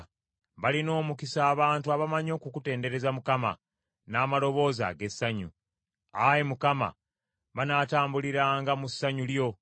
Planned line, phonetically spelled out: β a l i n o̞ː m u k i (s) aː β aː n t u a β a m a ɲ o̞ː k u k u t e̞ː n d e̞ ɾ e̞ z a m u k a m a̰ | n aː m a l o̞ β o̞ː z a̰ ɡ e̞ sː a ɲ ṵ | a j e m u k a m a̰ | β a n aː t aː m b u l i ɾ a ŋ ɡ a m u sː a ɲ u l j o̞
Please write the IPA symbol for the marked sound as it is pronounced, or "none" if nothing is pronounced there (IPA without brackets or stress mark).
s